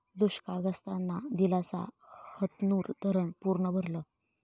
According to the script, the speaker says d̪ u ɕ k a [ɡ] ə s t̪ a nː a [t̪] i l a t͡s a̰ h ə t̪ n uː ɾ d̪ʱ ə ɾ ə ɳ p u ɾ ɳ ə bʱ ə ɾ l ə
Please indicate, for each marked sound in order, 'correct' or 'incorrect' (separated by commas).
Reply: correct, incorrect